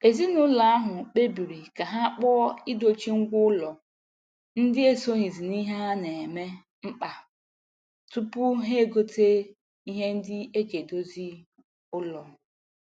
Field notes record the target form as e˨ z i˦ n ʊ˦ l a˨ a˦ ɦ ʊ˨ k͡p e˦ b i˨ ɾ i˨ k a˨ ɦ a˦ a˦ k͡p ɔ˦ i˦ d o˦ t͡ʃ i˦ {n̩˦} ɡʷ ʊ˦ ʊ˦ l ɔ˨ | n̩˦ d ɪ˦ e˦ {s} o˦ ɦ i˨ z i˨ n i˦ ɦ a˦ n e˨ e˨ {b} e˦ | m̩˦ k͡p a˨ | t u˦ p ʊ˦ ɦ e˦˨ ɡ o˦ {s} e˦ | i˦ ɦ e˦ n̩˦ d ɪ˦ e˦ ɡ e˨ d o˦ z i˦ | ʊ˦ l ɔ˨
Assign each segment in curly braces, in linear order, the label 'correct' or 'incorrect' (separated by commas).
incorrect, correct, incorrect, incorrect